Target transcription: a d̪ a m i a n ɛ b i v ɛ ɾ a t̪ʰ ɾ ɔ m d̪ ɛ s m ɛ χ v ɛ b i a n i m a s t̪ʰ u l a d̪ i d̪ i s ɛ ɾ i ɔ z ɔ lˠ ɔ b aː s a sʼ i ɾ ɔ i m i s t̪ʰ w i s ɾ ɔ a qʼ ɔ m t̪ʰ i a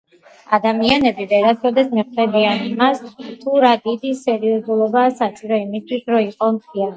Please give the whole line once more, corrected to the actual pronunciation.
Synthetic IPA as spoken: a d̪ a m i a n ɛ b i v ɛ ɾ a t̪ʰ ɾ ɔ d̪ ɛ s m ɛ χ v ɛ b i a n i m a s t̪ʰ u ɾ a d̪ i d̪ i s ɛ ɾ i ɔ z u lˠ ɔ b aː s a sʼ i ɾ ɔ i m i s t̪ʰ w i s ɾ ɔ i qʼ ɔ m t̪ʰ i a